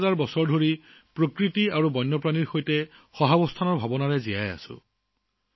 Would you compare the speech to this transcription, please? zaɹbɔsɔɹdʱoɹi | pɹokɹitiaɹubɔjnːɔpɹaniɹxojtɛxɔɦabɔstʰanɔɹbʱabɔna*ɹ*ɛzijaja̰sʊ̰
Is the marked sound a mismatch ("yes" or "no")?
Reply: no